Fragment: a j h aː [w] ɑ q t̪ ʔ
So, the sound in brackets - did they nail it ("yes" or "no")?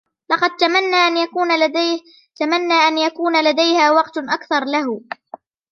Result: yes